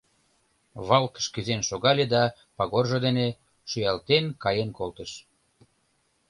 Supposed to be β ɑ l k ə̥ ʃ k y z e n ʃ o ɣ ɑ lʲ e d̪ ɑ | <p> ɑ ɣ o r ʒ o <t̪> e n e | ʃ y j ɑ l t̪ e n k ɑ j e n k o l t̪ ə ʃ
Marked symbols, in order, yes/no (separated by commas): yes, no